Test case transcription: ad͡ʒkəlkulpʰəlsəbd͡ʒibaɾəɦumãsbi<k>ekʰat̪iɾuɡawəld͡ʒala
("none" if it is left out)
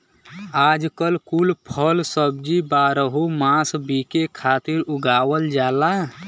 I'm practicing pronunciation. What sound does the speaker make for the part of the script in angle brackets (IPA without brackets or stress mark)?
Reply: k